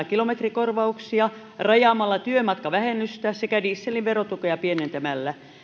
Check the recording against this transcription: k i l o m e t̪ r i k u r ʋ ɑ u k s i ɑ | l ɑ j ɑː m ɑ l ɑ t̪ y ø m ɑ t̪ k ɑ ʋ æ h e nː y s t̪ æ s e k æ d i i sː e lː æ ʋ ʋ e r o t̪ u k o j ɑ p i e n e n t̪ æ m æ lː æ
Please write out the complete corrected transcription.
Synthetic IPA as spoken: k i l o m e t̪ r i k o r ʋ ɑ u k s i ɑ | r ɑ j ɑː m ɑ lː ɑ t̪ y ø m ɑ t̪ k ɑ ʋ æ h e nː y s t̪ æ s e k æ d i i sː e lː i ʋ ʋ e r o t̪ u k o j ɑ p i e n e n t̪ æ m æ lː æ